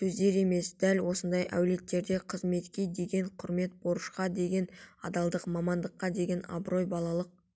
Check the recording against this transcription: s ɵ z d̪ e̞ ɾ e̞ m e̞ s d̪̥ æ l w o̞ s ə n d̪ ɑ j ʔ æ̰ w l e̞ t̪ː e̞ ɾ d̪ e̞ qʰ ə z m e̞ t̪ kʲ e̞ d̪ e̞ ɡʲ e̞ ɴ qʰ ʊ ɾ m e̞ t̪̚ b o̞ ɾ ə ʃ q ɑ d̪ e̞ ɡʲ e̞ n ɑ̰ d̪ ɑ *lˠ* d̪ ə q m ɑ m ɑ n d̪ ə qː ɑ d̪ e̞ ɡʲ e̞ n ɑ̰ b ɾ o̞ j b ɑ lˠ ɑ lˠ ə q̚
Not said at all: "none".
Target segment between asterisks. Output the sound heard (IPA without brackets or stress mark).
lˠ